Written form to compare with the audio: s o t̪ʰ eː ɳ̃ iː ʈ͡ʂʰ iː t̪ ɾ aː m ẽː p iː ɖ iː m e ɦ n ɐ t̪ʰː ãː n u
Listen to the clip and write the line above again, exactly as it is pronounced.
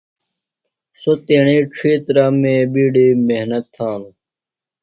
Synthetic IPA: s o t̪ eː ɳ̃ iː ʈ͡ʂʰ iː t̪ ɾ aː m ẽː b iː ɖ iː m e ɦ n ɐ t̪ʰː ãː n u